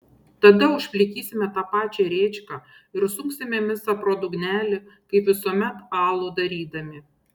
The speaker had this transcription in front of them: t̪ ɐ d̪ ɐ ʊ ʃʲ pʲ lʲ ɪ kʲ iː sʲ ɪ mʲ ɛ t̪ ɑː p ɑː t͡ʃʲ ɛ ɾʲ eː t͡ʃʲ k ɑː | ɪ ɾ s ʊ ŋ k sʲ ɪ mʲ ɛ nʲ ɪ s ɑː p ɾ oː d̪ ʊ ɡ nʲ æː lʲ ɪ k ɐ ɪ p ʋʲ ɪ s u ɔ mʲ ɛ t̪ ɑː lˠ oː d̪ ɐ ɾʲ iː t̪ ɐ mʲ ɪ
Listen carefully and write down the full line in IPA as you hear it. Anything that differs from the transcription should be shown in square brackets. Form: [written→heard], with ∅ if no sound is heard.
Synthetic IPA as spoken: t̪ ɐ d̪ ɐ ʊ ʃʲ pʲ lʲ ɪ kʲ iː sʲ ɪ mʲ ɛ t̪ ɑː p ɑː t͡ʃʲ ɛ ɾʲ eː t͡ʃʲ k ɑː | ɪ ɾ s ʊ ŋ k sʲ ɪ mʲ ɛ [nʲ→mʲ] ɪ s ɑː p ɾ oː d̪ ʊ ɡ nʲ æː lʲ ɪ k ɐ ɪ p ʋʲ ɪ s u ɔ mʲ ɛ t̪ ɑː lˠ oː d̪ ɐ ɾʲ iː [t̪→d̪] ɐ mʲ ɪ